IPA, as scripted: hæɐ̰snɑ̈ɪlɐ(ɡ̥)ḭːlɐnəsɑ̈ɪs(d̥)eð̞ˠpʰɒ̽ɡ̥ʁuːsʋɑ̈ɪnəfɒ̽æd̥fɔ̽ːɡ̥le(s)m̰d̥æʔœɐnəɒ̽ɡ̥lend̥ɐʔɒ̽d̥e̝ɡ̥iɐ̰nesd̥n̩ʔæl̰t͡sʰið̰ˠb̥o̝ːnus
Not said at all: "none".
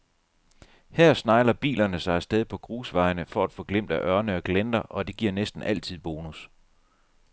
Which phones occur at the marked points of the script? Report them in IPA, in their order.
b̥, d̥, none

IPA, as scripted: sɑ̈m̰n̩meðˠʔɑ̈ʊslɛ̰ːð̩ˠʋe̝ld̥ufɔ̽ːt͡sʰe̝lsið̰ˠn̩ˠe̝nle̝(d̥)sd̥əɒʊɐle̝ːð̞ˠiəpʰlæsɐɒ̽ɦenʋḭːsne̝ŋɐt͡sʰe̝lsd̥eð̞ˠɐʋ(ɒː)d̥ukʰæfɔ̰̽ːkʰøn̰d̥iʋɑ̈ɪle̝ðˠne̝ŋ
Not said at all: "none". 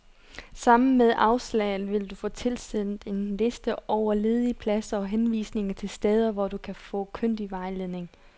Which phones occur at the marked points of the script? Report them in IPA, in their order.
none, ɒ

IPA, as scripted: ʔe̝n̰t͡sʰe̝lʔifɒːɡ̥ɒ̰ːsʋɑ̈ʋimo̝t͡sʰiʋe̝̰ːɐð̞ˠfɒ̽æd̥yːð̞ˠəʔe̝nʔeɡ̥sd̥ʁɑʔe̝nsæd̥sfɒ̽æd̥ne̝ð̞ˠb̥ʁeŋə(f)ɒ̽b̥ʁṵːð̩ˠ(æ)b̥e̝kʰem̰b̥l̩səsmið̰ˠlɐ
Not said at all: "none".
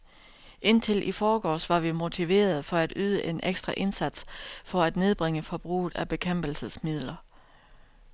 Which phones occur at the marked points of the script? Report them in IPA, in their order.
f, æ

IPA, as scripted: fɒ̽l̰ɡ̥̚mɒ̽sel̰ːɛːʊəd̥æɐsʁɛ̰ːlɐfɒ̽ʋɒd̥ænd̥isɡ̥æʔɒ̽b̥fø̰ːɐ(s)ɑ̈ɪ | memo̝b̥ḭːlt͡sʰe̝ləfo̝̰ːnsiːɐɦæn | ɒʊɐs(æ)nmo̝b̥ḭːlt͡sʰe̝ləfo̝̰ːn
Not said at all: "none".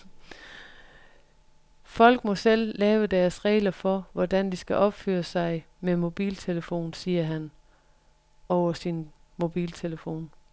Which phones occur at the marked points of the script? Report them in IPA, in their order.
s, i

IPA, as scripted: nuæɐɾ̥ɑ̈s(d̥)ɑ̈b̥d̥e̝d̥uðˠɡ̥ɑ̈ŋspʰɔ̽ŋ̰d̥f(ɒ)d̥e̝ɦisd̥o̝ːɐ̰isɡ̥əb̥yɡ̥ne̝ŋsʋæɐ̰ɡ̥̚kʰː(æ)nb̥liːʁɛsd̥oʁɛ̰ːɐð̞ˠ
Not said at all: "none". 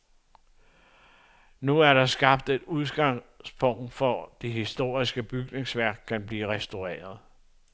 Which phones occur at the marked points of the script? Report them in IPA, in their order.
ɡ̥, ɒ, æ

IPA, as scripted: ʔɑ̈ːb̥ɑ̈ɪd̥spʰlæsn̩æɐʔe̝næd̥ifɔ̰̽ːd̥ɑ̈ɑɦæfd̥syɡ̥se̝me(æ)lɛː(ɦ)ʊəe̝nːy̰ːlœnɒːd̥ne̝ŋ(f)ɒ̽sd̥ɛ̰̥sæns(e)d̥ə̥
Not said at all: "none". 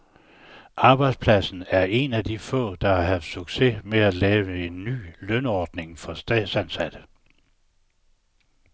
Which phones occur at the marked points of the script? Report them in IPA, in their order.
æ, none, f, æ

